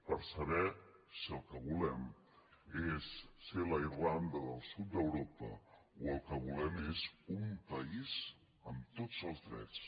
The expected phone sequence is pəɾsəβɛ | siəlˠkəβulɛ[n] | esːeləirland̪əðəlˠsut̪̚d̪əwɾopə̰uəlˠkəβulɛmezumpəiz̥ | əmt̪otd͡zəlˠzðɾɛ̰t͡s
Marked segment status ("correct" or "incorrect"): incorrect